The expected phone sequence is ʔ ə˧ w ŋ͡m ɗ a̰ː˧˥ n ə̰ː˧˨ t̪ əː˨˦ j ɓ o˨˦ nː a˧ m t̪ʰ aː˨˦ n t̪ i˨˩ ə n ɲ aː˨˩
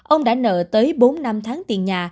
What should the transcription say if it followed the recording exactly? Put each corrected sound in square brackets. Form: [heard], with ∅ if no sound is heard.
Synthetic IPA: ʔ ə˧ w ŋ͡m ɗ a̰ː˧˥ n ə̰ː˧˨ t̪ əː˨˦ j ɓ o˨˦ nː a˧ m t̪ʰ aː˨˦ [ŋ] t̪ i˨˩ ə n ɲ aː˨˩